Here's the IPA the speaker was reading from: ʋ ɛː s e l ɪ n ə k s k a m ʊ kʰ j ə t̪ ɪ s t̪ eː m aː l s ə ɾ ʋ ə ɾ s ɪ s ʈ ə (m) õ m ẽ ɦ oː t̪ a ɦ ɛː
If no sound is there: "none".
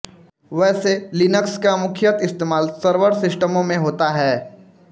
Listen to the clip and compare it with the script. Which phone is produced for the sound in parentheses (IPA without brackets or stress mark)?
m